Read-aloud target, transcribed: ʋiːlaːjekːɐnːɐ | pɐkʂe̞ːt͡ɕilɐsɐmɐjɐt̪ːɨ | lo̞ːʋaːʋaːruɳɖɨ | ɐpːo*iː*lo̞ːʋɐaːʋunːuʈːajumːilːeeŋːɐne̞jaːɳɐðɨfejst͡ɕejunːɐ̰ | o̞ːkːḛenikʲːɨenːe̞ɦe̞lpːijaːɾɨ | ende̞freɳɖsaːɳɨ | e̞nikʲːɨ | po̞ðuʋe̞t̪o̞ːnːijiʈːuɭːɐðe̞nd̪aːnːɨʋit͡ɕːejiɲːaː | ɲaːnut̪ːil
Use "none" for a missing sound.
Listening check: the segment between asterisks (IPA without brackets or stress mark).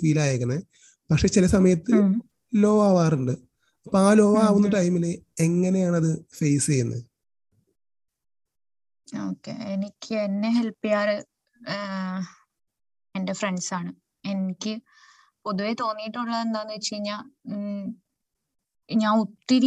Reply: aː